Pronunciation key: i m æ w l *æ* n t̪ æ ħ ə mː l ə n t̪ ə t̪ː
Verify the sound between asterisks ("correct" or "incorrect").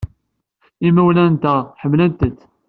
correct